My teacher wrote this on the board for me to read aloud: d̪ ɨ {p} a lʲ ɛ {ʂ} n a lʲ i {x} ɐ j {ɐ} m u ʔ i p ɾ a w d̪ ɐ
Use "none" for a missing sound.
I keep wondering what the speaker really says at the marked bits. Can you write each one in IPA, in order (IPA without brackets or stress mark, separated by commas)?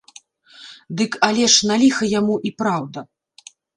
k, ʂ, x, a